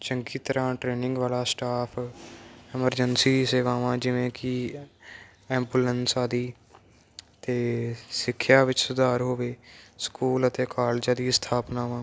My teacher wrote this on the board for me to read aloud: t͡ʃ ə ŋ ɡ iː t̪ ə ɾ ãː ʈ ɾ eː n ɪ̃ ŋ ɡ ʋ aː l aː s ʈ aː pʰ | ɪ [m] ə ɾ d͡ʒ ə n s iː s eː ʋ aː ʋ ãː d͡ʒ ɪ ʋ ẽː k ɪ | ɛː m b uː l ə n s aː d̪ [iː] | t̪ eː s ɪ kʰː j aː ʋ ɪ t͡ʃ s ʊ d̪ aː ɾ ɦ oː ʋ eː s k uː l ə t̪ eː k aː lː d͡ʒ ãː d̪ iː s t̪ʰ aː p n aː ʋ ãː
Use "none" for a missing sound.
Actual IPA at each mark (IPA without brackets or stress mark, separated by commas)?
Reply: m, iː